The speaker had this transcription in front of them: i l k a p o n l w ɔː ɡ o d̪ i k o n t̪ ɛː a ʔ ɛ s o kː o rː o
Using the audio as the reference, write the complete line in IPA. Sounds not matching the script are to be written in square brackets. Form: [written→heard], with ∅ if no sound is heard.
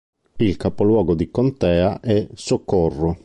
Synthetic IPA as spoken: i l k a p o [n→∅] l w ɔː ɡ o d̪ i k o n t̪ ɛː a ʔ ɛ s o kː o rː o